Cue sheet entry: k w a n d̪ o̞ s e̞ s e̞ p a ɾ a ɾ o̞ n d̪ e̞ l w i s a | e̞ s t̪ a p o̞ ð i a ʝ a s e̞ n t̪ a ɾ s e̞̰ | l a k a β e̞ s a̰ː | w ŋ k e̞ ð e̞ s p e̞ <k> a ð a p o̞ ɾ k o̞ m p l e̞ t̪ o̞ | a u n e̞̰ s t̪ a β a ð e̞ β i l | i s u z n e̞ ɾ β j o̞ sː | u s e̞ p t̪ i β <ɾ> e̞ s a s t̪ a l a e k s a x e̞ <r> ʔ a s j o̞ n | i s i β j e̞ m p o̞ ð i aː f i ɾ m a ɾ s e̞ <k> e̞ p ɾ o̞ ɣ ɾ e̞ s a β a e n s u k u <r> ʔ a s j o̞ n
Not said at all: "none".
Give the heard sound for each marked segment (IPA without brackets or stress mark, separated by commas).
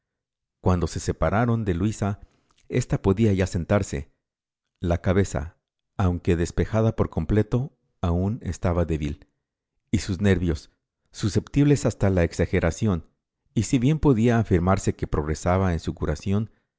x, l, ɾ, k, ɾ